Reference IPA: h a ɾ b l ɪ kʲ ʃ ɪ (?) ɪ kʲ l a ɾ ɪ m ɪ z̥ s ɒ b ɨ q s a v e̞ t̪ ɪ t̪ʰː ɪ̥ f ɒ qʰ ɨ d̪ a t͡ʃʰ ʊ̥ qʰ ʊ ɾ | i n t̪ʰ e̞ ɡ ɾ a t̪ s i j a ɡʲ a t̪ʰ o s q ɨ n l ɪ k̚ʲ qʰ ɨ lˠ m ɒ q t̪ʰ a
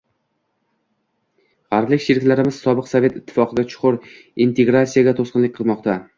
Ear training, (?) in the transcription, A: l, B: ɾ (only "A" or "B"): B